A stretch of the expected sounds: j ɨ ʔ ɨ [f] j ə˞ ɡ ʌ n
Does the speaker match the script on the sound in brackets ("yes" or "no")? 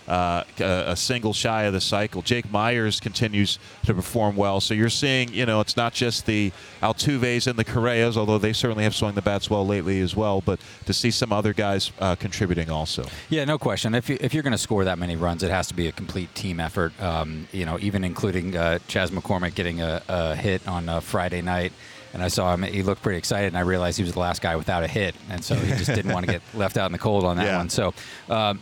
yes